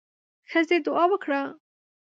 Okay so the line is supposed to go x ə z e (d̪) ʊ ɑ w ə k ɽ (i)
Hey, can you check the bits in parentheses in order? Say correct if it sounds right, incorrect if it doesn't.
correct, incorrect: a

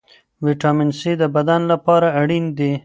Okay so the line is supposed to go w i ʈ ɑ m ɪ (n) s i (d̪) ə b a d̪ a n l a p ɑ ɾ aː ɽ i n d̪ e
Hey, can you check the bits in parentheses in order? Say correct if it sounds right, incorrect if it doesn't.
correct, correct

